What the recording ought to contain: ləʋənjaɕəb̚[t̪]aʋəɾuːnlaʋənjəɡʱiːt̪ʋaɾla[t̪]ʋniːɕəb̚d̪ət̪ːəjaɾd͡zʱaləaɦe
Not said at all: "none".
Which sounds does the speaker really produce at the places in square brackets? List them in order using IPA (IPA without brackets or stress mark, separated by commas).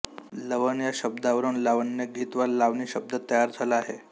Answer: d̪, none